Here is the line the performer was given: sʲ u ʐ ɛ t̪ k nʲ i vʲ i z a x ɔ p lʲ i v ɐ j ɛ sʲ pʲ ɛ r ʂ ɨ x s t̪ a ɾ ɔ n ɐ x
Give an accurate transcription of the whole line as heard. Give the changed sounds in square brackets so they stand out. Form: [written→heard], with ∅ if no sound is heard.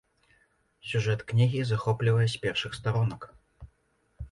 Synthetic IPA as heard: sʲ u ʐ ɛ t̪ k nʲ i [vʲ→ɣʲ] i z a x ɔ p lʲ i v ɐ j ɛ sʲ pʲ ɛ r ʂ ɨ x s t̪ a ɾ ɔ n ɐ [x→k]